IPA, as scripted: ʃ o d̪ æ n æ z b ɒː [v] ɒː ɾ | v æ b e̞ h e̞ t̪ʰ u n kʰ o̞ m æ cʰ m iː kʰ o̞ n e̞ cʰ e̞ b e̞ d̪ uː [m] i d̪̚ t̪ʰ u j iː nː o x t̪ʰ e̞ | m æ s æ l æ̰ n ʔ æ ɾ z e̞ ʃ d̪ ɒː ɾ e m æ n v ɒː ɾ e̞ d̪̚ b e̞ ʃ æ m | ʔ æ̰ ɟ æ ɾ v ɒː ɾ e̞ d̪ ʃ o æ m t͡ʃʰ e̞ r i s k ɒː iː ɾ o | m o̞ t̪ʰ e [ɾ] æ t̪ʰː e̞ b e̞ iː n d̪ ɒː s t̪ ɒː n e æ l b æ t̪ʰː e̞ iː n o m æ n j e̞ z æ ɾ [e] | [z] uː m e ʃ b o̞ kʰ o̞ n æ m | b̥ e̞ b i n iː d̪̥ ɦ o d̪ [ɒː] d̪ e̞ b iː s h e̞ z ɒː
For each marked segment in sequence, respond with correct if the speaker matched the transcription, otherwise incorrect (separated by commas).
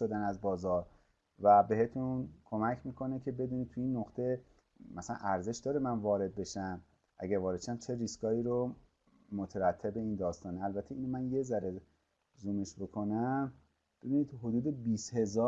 incorrect, incorrect, correct, correct, correct, incorrect